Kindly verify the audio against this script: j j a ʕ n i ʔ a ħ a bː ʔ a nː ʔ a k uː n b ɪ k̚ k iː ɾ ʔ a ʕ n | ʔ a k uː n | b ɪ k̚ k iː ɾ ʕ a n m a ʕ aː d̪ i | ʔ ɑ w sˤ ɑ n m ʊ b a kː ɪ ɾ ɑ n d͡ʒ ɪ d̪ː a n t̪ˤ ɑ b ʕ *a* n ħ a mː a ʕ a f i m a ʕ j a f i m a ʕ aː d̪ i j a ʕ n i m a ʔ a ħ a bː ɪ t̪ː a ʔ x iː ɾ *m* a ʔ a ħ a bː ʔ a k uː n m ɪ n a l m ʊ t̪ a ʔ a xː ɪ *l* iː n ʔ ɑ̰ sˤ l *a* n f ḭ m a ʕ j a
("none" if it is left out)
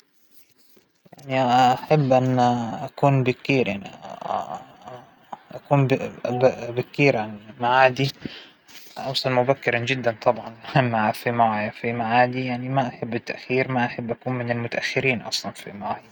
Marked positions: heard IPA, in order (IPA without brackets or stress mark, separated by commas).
ɑ, m, ɾ, ɑ